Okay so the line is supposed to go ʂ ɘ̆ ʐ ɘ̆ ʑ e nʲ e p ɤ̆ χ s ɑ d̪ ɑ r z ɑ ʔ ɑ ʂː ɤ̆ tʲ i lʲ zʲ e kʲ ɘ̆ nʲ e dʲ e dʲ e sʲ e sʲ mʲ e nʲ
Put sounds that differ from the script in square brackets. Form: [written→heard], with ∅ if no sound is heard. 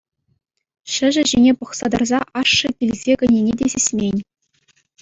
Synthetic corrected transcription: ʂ ɘ̆ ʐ ɘ̆ ʑ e nʲ e p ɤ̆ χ s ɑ d̪ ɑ r z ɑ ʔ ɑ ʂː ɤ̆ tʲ i lʲ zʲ e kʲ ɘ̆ nʲ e [dʲ→nʲ] e dʲ e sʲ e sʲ mʲ e nʲ